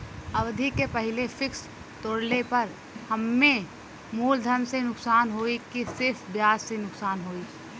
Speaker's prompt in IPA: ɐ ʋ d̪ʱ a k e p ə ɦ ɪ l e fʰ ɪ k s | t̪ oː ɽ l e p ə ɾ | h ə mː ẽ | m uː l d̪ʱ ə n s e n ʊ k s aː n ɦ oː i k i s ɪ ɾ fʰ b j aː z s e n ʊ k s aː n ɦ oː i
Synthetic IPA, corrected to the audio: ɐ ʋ d̪ʱ i k e p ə ɦ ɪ l e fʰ ɪ k s | t̪ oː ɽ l e p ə ɾ | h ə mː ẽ | m uː l d̪ʱ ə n s e n ʊ k s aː n ɦ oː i k i s ɪ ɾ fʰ b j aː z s e n ʊ k s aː n ɦ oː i

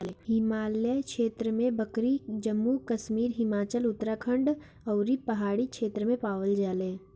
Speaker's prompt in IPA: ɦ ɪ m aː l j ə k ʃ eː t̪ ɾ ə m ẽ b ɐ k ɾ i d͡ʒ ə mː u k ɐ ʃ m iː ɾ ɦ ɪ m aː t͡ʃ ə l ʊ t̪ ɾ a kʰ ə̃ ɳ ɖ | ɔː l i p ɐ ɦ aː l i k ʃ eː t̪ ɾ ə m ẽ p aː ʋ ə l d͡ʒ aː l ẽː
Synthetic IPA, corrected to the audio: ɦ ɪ m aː l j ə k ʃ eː t̪ ɾ ə m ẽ b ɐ k ɾ i d͡ʒ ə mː u k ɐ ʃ m iː ɾ ɦ ɪ m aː t͡ʃ ə l ʊ t̪ ɾ a kʰ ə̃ ɳ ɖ | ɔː ɾ i p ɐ ɦ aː ɽ i k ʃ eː t̪ ɾ ə m ẽ p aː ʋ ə l d͡ʒ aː l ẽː

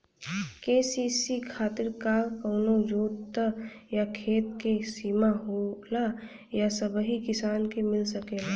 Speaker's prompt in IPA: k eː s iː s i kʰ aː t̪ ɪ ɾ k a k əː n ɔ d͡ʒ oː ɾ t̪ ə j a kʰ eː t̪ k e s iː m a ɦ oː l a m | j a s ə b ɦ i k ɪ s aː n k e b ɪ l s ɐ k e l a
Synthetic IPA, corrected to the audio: k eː s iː s i kʰ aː t̪ ɪ ɾ k a k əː n o d͡ʒ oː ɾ t̪ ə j a kʰ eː t̪ k e s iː m a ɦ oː l a | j a s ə b ɦ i k ɪ s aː n k e m ɪ l s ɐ k e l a

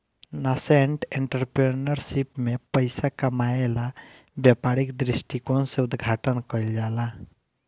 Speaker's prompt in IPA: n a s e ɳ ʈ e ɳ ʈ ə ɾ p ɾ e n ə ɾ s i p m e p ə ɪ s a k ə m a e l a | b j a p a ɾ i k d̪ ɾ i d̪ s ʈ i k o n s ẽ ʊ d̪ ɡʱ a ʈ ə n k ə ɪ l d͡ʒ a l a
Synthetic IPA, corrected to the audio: n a s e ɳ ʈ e ɳ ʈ ə ɾ p ɾ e n ə ɾ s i p m e p ə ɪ s a k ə m a e l a | b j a p a ɾ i k d̪ ɾ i s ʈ i k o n s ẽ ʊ d̪ ɡʱ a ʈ ə n k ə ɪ l d͡ʒ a l a

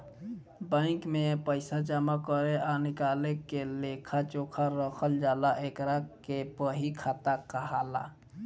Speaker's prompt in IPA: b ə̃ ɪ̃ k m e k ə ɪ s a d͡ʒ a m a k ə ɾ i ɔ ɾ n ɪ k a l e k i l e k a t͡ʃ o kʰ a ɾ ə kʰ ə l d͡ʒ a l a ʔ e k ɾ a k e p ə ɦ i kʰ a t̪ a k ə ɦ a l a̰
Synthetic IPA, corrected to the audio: b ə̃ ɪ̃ k m e p ə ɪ s a d͡ʒ a m a k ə ɾ e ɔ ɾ n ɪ k a l e k e l e kʰ a t͡ʃ o kʰ a ɾ ə kʰ ə l d͡ʒ a l a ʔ e k ɾ a k e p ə ɦ i kʰ a t̪ a k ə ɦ a l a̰

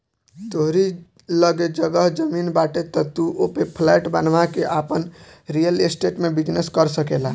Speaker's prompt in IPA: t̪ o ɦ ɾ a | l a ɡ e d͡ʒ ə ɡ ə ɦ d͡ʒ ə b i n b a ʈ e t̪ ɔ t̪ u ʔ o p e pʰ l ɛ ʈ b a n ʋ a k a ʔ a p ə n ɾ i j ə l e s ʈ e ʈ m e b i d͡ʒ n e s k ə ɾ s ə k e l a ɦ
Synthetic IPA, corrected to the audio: t̪ o ɦ ɾ i | l ə ɡ e d͡ʒ ə ɡ ə ɦ d͡ʒ ə m i n b a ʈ e t̪ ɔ t̪ u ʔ o p e pʰ l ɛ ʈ b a n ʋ a k e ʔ a p ə n ɾ i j ə l e s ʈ e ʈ m e b i d͡ʒ n e s k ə ɾ s ə k e l a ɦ

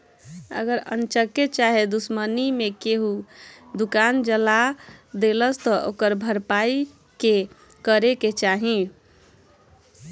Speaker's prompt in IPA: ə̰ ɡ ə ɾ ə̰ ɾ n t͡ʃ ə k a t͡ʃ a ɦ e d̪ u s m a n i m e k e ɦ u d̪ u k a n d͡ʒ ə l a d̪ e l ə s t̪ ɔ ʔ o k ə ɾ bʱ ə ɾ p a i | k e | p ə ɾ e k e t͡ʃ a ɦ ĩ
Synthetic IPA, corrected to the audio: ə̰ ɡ ə ɾ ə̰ n t͡ʃ ə k e t͡ʃ a ɦ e d̪ u s m ə n i m e k e ɦ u d̪ u k a n d͡ʒ ə l a d̪ e l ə s t̪ ɔ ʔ o k ə ɾ bʱ ə ɾ p a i | k e | k ə ɾ e k e t͡ʃ a ɦ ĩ

